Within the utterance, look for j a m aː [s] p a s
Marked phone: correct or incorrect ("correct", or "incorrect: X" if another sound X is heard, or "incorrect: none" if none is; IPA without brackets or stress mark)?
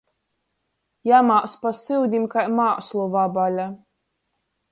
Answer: correct